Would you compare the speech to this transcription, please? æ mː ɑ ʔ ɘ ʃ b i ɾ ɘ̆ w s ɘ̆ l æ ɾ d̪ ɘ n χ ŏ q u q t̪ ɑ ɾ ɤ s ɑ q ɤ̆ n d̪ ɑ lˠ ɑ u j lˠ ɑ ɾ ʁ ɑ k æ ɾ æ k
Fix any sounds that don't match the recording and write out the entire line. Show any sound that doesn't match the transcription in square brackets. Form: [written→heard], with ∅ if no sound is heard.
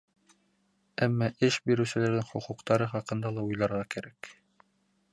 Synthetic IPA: æ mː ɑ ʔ ɘ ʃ b i ɾ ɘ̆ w s ɘ̆ l æ ɾ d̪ ɘ [n→ŋ] χ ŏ q u q t̪ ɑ ɾ ɤ [s→χ] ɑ q ɤ̆ n d̪ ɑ lˠ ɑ u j lˠ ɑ ɾ ʁ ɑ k æ ɾ æ k